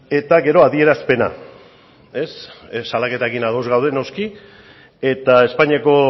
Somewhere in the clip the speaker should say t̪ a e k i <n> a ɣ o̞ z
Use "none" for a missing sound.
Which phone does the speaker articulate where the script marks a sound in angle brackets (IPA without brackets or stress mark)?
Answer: n